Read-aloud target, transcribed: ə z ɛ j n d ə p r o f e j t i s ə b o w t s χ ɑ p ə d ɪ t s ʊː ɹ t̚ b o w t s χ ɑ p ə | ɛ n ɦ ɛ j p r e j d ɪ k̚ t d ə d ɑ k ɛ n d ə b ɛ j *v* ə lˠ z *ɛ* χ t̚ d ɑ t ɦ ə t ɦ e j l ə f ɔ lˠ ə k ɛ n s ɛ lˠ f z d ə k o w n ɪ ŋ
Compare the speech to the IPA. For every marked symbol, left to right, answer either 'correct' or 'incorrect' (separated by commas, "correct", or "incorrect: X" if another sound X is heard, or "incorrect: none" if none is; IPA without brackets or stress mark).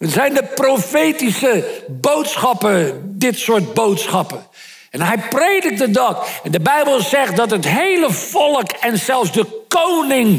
incorrect: b, correct